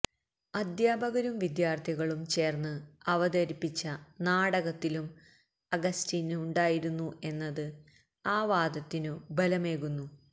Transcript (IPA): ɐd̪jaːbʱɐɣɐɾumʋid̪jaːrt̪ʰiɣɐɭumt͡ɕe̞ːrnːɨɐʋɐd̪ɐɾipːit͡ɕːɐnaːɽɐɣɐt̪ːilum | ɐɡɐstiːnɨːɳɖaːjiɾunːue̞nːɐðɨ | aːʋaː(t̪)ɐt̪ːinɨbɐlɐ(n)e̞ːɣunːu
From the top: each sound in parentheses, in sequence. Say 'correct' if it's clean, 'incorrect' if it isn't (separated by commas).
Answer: incorrect, incorrect